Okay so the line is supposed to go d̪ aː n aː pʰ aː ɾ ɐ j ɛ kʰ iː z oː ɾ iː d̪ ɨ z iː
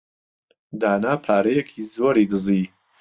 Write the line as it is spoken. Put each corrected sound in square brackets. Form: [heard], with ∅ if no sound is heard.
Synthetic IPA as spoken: d̪ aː n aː pʰ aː ɾ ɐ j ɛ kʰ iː z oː ɾ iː d̪ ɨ z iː